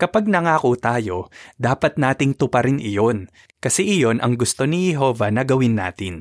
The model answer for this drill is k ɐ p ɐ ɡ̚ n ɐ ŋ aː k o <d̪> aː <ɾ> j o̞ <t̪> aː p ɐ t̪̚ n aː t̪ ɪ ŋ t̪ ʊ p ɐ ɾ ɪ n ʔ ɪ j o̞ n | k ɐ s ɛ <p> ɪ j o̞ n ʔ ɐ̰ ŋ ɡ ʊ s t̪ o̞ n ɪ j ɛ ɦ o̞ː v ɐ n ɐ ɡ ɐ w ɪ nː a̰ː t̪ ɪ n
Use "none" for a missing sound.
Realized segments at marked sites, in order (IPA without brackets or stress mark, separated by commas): t̪, none, d̪, ʔ